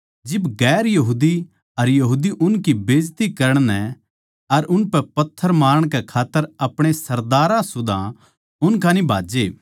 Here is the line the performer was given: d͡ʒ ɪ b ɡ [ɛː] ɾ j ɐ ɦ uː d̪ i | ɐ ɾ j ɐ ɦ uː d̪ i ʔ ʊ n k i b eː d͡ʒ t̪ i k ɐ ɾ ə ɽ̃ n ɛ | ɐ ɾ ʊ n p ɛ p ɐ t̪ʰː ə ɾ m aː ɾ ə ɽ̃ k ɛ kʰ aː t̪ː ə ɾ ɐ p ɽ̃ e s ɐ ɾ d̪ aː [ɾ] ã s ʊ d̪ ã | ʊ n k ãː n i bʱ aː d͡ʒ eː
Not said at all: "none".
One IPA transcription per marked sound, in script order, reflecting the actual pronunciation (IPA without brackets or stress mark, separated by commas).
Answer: ɛː, ɾ